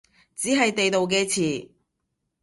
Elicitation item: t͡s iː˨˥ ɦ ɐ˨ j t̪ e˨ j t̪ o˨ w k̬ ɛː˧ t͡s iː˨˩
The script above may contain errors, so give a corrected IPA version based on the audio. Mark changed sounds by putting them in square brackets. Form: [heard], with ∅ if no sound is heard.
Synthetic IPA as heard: t͡s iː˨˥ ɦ ɐ˨ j t̪ e˨ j t̪ o˨ w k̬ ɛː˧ [t͡sʰ] iː˨˩